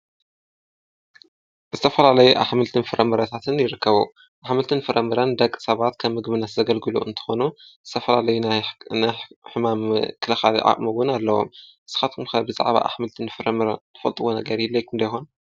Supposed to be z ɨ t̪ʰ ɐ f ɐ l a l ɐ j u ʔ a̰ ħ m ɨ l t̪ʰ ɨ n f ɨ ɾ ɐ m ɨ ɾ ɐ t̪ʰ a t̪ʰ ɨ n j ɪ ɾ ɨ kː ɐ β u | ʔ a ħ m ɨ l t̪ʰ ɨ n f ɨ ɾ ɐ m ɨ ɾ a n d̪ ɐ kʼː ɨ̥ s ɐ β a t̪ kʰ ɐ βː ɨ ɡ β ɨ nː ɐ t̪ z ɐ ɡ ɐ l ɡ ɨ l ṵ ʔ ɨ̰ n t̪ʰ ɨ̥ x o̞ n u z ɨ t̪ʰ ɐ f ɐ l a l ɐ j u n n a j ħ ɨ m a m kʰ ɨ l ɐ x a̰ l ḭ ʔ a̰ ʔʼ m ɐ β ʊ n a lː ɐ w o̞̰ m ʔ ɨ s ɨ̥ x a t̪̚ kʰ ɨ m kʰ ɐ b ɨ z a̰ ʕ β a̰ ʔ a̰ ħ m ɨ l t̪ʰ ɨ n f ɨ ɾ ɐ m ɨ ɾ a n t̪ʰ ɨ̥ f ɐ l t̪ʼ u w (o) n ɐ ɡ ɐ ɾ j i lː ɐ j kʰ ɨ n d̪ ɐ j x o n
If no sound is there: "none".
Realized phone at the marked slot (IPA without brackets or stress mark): o